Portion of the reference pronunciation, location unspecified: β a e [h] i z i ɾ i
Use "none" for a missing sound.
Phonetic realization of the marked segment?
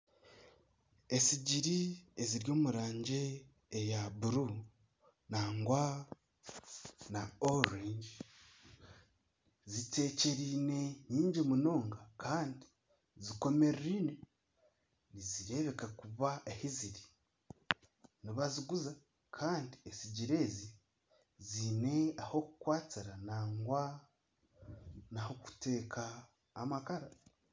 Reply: h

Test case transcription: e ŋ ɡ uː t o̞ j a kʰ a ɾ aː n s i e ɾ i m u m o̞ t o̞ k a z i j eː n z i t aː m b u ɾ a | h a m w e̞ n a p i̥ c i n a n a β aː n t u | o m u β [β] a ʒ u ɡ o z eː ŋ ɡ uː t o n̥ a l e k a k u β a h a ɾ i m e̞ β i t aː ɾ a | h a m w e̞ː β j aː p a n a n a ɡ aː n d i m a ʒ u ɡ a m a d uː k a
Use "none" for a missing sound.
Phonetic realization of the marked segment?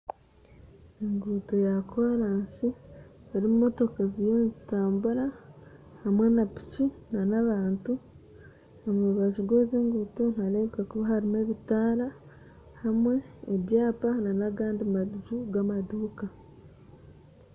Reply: β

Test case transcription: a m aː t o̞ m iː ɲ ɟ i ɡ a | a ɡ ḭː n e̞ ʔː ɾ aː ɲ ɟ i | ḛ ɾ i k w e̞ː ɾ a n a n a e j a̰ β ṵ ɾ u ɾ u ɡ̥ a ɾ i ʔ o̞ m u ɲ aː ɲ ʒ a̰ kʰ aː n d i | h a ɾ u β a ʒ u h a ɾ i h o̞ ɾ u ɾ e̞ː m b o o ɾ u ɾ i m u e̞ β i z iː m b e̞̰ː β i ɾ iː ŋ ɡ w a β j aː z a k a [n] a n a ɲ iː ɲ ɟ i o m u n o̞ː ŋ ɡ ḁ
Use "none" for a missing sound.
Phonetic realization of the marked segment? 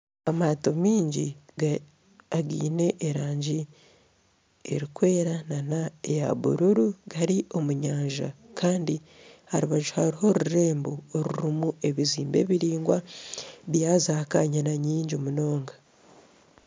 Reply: ɲ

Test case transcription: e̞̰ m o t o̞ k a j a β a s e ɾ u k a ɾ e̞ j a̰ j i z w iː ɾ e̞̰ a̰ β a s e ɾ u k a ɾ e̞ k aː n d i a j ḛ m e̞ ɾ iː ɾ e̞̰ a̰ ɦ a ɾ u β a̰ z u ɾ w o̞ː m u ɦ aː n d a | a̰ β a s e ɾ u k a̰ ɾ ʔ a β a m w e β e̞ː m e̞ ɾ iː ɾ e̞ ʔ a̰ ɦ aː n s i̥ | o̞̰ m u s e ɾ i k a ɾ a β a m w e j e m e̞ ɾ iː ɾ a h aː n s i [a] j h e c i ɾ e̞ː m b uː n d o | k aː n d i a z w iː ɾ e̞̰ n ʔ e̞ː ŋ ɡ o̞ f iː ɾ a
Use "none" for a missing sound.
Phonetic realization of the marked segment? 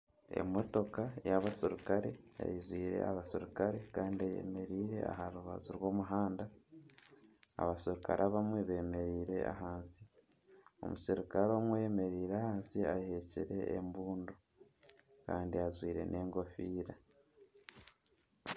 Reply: a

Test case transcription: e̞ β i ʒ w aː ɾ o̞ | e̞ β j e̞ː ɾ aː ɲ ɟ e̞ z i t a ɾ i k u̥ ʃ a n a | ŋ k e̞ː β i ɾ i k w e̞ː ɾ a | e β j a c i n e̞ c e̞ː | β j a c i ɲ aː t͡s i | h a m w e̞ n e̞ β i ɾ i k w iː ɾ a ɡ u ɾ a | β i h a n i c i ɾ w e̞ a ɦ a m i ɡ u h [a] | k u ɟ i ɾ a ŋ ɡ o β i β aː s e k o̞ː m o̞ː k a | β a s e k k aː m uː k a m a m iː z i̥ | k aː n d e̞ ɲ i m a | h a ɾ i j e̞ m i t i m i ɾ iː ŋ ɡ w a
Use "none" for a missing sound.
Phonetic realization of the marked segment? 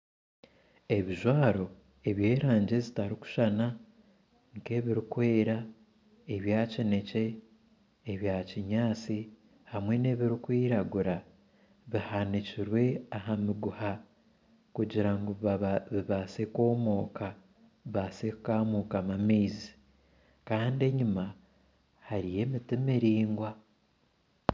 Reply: a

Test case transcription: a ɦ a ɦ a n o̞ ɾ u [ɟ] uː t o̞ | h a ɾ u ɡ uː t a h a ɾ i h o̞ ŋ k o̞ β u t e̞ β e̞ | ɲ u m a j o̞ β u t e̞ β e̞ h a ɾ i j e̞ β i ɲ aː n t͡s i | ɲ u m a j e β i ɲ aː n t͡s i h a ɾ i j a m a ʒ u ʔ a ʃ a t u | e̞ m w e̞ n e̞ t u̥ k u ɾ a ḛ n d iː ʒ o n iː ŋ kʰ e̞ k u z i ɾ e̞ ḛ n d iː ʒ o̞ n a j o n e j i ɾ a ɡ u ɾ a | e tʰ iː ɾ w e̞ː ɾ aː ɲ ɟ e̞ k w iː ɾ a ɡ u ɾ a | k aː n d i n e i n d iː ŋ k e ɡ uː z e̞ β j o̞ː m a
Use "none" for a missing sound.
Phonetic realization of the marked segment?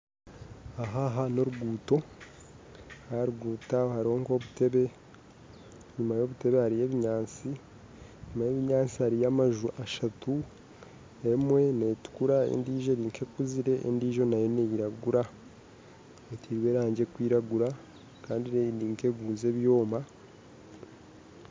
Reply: ɡ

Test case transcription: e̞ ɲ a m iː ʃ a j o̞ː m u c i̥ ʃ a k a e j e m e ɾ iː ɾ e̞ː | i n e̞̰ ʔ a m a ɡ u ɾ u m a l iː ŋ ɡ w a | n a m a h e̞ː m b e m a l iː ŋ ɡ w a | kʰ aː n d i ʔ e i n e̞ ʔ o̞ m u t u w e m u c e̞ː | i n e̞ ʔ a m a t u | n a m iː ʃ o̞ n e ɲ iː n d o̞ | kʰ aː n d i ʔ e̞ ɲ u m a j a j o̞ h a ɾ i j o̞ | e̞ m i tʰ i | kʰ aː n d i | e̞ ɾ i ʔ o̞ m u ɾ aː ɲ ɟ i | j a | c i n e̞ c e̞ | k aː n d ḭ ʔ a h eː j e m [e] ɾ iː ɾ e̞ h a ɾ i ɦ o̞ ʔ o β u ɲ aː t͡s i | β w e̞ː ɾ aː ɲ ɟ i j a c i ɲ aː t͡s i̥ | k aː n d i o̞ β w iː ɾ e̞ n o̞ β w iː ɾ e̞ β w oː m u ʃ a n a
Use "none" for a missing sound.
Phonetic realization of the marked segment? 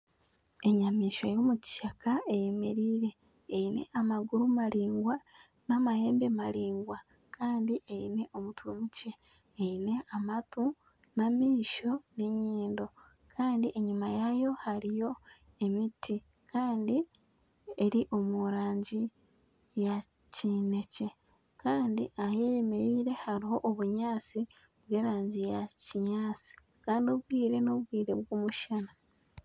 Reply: e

